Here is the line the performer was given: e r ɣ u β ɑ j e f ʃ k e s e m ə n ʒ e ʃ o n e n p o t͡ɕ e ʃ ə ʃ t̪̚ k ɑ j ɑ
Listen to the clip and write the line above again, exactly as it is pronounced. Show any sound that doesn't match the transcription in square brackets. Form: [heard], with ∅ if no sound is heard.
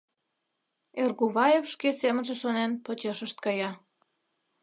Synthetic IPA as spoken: e r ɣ u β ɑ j e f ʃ k e s e m ə n ʒ e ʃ o n e n p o t͡ɕ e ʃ ə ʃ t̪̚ k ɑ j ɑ